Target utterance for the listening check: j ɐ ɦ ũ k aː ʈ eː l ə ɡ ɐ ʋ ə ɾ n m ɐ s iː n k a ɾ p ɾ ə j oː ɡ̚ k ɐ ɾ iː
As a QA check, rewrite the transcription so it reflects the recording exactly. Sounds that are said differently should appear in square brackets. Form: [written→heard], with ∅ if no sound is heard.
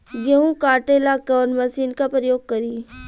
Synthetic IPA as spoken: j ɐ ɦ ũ k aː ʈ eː l [ə→a] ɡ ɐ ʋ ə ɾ n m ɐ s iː n k a [ɾ→∅] p ɾ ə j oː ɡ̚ k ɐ ɾ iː